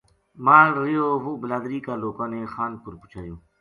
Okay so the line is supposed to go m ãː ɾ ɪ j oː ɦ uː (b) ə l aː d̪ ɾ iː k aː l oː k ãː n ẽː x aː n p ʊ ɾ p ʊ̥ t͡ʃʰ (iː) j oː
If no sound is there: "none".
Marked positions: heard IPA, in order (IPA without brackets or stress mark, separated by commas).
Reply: b, aː